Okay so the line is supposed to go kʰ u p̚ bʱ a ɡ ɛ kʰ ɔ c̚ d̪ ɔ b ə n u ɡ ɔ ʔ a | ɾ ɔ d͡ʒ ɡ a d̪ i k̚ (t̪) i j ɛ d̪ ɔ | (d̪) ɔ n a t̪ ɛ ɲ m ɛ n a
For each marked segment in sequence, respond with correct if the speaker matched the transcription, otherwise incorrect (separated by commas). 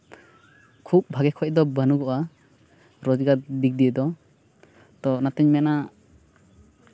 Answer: incorrect, incorrect